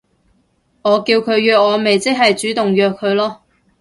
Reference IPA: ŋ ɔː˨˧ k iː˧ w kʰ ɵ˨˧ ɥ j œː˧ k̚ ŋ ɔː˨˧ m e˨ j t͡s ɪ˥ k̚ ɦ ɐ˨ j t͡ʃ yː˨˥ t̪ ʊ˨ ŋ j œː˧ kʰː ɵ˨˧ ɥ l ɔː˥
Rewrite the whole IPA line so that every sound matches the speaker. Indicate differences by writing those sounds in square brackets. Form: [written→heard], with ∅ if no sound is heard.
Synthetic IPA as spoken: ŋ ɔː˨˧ k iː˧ w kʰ ɵ˨˧ ɥ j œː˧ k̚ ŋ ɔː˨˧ m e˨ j t͡s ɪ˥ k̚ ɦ ɐ˨ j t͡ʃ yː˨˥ t̪ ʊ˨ ŋ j œː˧ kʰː ɵ˨˧ ɥ l ɔː˥